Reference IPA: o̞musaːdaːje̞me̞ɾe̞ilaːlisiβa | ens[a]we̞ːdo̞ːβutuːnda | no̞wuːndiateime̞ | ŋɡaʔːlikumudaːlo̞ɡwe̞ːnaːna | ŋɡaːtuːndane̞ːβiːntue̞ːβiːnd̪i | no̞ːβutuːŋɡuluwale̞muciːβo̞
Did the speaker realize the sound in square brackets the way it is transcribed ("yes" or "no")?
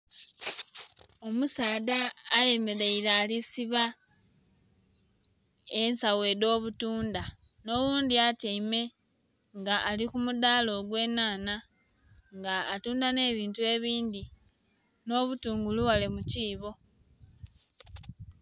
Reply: yes